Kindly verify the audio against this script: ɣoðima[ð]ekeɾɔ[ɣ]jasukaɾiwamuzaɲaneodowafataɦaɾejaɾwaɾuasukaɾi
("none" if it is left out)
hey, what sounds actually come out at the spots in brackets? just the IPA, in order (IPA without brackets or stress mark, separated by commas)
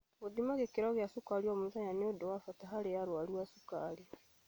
ɣ, ɣ